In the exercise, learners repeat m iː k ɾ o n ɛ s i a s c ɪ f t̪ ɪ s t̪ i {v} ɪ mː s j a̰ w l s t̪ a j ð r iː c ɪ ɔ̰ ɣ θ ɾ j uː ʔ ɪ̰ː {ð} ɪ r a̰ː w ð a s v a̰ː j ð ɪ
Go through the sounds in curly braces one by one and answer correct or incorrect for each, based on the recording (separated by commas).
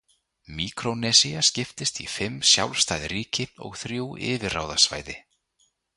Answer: incorrect, incorrect